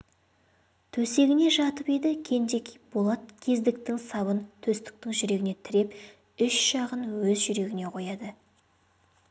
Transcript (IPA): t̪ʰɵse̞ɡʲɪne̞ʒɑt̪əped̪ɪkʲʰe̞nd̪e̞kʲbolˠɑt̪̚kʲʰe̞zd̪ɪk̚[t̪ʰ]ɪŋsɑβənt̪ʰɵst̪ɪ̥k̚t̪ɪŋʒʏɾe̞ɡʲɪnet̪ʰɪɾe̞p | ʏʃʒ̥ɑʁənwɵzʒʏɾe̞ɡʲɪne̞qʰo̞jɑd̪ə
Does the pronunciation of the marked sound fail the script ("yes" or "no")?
yes